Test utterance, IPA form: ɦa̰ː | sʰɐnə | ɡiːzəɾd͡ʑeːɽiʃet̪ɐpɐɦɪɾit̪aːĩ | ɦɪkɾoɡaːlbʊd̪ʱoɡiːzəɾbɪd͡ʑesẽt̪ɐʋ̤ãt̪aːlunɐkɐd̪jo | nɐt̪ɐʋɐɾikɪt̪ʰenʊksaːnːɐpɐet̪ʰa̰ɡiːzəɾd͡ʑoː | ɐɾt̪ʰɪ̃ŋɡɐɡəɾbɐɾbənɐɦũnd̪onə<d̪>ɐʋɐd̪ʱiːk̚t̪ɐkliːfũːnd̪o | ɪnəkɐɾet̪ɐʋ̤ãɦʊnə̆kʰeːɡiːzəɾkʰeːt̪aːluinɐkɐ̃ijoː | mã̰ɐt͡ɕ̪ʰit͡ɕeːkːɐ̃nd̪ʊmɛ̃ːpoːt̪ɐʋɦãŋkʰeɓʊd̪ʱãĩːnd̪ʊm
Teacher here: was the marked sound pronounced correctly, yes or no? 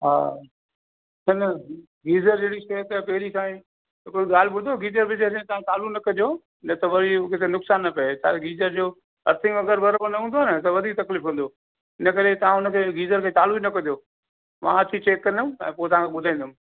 no